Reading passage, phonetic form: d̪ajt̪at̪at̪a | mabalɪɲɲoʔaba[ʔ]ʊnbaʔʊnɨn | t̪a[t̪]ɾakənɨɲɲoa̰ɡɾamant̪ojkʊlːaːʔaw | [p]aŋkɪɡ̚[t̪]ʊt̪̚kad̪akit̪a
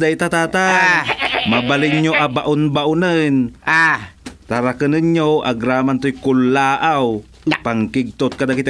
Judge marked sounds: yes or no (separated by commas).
yes, no, yes, yes